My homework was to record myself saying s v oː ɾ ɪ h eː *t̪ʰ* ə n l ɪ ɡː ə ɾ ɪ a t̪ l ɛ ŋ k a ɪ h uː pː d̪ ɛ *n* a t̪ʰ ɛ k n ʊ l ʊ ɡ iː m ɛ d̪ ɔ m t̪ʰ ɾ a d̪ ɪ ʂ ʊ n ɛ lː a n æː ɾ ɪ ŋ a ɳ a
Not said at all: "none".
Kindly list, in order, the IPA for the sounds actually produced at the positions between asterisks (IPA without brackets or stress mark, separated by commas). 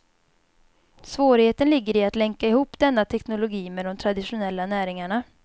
t̪, nː